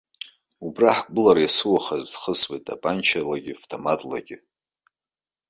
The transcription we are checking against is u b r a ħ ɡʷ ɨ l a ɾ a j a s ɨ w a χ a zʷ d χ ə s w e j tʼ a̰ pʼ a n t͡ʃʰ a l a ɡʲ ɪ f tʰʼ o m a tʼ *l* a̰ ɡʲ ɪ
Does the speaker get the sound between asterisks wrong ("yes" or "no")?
no